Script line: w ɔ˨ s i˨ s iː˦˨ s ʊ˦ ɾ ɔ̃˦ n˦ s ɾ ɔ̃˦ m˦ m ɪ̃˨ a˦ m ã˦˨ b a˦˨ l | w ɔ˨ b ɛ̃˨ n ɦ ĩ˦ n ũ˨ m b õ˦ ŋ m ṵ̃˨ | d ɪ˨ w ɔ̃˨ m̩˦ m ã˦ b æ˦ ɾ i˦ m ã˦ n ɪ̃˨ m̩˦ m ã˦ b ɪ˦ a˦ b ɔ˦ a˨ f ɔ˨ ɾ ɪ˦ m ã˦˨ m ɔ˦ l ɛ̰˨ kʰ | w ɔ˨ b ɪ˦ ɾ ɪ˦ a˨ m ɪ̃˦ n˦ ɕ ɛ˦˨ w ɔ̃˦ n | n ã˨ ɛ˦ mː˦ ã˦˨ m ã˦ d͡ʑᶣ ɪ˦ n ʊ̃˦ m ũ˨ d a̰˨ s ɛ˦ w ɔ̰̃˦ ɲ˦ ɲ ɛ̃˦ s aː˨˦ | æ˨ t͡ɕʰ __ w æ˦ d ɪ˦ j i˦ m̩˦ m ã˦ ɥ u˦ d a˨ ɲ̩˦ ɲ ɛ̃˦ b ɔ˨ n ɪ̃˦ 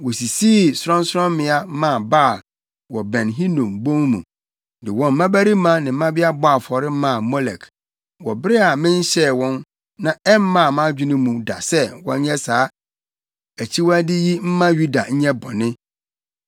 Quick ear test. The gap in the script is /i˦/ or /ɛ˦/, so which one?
i˦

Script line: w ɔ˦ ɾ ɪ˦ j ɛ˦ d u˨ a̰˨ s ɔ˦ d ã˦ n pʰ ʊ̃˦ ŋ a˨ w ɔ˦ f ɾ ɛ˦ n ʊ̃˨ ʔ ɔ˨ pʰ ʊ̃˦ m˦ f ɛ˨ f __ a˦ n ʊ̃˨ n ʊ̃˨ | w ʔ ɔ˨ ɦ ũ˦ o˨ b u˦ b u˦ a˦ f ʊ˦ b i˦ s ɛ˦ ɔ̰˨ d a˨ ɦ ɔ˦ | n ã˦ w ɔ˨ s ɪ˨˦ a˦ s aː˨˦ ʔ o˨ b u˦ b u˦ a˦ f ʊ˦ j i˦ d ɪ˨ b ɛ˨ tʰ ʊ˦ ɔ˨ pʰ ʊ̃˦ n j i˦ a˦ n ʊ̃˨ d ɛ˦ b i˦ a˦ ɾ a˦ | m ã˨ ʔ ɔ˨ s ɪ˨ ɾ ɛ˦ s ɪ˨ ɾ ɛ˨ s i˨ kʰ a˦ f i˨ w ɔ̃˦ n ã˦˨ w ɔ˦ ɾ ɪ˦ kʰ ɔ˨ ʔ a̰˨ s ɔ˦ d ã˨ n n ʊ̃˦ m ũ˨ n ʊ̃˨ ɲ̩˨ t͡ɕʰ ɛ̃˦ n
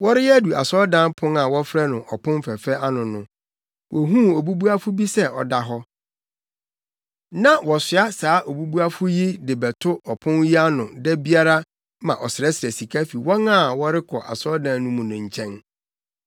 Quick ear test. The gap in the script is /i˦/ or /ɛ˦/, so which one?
ɛ˦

